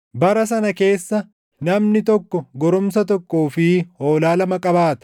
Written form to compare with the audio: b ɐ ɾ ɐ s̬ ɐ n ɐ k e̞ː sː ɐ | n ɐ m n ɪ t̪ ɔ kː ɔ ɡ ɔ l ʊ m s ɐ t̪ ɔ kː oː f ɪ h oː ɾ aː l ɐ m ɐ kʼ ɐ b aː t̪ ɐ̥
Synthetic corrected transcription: b ɐ ɾ ɐ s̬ ɐ n ɐ k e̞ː sː ɐ | n ɐ m n ɪ t̪ ɔ kː ɔ ɡ ɔ ɾ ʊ m s ɐ t̪ ɔ kː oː f ɪ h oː l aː l ɐ m ɐ kʼ ɐ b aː t̪ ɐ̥